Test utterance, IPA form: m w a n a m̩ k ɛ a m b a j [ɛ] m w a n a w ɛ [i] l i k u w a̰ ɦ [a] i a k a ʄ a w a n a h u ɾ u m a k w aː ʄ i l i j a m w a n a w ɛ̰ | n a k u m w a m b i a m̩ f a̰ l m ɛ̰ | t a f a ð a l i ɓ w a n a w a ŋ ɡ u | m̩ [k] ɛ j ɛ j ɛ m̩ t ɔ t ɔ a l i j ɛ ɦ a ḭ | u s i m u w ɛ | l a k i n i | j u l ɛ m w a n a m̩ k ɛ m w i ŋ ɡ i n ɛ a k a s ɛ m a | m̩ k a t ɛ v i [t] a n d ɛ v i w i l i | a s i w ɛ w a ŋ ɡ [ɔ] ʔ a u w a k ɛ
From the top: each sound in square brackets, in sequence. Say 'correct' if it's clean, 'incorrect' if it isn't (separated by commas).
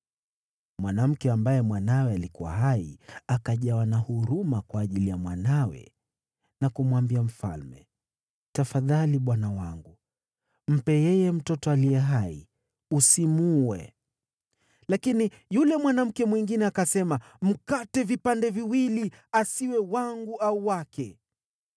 correct, incorrect, correct, incorrect, incorrect, incorrect